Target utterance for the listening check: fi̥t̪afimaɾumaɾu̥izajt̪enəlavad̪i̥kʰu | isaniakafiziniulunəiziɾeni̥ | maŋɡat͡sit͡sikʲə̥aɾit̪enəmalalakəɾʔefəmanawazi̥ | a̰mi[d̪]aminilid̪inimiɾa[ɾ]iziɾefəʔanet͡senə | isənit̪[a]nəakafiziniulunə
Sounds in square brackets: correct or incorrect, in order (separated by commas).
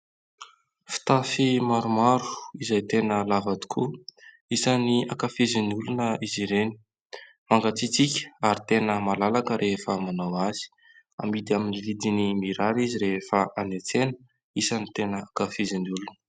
correct, correct, incorrect